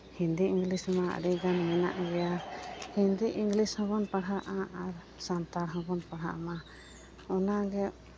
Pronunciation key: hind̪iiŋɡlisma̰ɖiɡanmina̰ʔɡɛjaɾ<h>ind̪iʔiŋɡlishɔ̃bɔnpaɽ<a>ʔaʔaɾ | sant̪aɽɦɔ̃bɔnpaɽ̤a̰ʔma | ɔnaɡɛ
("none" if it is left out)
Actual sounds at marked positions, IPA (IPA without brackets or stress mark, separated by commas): h, a